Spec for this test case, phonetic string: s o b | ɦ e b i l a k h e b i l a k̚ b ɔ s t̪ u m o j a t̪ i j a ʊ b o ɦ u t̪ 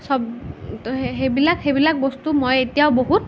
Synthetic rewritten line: s ɔ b | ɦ e b i l a k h e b i l a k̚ b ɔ s t̪ u m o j e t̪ i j a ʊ b o ɦ u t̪